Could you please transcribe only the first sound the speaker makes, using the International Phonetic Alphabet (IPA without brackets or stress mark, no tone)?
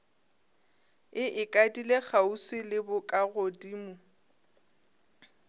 ɪ